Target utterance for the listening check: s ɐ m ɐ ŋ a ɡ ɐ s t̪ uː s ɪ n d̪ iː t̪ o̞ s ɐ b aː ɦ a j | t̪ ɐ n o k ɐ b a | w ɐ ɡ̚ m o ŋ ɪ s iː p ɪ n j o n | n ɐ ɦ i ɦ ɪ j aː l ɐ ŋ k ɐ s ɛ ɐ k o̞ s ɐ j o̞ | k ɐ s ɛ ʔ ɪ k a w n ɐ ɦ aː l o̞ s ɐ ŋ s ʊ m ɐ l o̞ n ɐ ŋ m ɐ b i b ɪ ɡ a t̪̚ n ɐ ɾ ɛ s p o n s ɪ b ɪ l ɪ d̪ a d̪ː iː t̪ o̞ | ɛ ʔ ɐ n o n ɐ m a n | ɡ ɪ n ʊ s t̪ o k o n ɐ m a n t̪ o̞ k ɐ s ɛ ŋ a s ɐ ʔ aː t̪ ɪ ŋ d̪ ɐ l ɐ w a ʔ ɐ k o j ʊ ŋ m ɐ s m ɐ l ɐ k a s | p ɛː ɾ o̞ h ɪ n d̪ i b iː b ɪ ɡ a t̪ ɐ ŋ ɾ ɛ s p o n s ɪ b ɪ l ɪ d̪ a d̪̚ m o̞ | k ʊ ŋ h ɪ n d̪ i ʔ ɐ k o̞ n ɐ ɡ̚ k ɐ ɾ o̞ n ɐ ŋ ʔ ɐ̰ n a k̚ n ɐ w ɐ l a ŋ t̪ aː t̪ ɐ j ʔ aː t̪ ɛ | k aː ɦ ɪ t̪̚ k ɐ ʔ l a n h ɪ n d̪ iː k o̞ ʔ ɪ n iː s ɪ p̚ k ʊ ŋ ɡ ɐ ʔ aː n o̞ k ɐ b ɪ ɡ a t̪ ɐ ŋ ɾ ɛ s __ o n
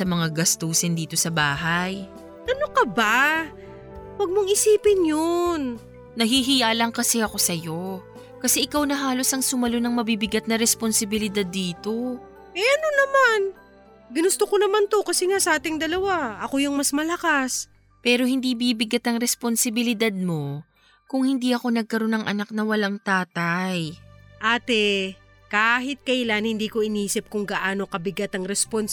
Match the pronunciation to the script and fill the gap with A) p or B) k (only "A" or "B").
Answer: A